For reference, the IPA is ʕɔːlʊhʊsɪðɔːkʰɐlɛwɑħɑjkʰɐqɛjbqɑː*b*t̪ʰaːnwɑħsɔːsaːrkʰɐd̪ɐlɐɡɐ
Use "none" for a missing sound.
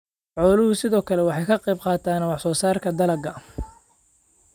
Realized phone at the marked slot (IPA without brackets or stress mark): none